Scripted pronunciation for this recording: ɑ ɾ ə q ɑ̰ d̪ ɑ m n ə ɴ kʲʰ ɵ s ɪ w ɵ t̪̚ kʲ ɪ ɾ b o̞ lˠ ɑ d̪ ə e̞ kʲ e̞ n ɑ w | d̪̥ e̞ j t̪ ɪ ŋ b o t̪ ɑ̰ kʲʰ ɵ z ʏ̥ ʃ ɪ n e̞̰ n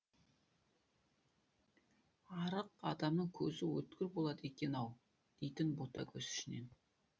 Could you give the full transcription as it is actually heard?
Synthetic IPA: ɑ ɾ ə q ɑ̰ d̪ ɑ m n ə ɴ kʲʰ ɵ z ɪ w ɵ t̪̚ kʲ ɪ ɾ b o̞ lˠ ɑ d̪ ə e̞ kʲ e̞ n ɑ w | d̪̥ e̞ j t̪ ɪ n b o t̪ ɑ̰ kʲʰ ɵ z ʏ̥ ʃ ɪ n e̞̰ n